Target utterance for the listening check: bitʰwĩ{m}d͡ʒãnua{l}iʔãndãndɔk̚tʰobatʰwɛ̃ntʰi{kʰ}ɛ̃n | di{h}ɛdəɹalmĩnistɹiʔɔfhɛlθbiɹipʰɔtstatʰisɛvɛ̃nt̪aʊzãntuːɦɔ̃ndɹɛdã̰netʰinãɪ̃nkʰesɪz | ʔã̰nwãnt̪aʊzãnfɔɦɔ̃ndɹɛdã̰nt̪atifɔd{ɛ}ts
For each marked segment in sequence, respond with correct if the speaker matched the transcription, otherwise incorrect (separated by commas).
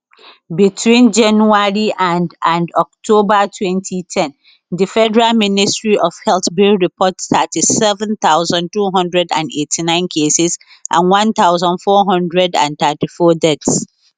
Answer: incorrect, incorrect, incorrect, incorrect, correct